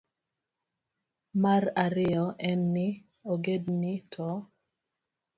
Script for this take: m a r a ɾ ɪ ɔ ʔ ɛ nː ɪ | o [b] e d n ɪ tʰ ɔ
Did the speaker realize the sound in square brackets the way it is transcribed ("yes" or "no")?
no